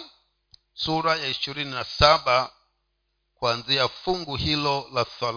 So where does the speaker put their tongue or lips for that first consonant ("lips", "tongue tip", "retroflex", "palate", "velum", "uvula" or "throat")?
tongue tip